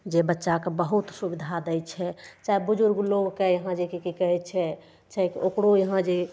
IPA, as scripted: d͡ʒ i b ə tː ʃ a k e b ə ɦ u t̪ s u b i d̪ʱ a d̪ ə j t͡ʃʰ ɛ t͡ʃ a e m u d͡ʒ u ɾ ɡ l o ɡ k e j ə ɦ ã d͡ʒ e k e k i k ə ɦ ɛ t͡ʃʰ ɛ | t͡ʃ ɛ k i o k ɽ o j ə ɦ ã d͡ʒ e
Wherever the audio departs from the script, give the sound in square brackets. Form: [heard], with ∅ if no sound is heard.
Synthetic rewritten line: d͡ʒ [e] b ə tː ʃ a k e b ə ɦ u t̪ s u b i d̪ʱ a d̪ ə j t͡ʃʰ ɛ t͡ʃ a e [b] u d͡ʒ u ɾ ɡ l o ɡ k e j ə ɦ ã d͡ʒ e k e k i k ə ɦ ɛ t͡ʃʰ ɛ | t͡ʃ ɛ k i o k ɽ o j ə ɦ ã d͡ʒ e